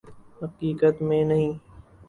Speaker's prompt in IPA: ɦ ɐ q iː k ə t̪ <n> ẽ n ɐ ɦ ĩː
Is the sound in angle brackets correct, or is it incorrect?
incorrect